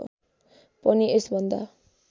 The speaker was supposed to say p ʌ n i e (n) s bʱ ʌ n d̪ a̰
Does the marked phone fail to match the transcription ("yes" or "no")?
yes